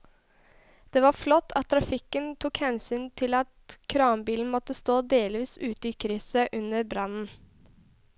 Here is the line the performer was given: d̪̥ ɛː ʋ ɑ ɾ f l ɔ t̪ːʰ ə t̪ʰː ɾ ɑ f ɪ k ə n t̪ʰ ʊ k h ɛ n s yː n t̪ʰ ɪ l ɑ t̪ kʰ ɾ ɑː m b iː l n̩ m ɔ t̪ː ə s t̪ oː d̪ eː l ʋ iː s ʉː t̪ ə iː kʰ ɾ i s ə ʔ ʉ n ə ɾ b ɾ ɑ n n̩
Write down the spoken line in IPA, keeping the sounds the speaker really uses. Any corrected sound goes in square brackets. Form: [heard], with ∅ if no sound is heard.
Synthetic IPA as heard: d̪̥ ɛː ʋ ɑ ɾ f l ɔ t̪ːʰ [ɑ] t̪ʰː ɾ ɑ f ɪ k ə n t̪ʰ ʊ k h ɛ n s yː n t̪ʰ ɪ l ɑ t̪ kʰ ɾ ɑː m b iː l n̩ m ɔ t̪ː ə s t̪ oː d̪ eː l ʋ iː s ʉː t̪ ə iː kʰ ɾ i s ə ʔ ʉ n ə ɾ b ɾ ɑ n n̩